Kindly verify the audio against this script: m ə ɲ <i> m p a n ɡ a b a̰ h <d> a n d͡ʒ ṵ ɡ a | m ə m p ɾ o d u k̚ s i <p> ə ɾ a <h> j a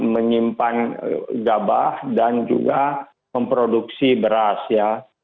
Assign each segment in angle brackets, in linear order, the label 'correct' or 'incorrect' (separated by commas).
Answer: correct, correct, incorrect, incorrect